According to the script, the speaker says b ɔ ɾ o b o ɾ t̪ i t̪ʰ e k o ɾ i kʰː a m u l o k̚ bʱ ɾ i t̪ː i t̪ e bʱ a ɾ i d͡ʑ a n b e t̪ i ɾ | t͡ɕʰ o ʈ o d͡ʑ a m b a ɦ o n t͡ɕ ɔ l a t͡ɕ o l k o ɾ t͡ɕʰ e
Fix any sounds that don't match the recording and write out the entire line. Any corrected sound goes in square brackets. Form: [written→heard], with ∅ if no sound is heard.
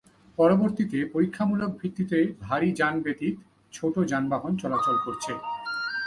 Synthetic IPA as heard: [b→p] ɔ ɾ o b o ɾ t̪ i [t̪ʰ→t̪] e [k→p] o ɾ i kʰː a m u l o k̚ bʱ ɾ i t̪ː i t̪ e bʱ a ɾ i d͡ʑ a n b e t̪ i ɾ | t͡ɕʰ o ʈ o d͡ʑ a [m→n] b a ɦ o n t͡ɕ ɔ l a t͡ɕ o l k o ɾ t͡ɕʰ e